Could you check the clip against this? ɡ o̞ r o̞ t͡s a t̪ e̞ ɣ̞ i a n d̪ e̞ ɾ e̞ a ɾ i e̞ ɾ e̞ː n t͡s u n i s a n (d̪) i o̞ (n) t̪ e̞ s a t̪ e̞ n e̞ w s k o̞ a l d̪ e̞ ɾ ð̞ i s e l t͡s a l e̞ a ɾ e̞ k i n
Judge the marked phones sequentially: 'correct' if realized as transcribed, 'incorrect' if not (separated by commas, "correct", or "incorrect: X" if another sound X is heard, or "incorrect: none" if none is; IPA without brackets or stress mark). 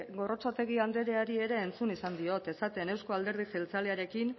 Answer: correct, incorrect: none